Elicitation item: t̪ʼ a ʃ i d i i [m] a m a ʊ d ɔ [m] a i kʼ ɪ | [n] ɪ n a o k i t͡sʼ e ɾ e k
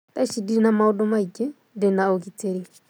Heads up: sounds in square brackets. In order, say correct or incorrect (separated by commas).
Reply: incorrect, correct, incorrect